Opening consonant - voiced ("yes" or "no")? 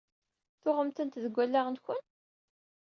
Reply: no